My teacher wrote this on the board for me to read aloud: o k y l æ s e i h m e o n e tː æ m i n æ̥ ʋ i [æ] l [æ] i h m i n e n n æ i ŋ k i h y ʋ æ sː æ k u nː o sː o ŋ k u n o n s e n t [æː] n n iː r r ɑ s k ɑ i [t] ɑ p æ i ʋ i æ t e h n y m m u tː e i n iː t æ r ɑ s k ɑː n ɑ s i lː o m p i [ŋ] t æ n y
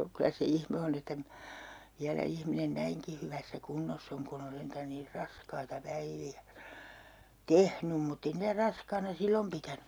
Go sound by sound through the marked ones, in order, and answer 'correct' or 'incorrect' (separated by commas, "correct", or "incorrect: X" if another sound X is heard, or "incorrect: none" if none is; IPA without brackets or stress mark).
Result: correct, correct, incorrect: æ, correct, incorrect: none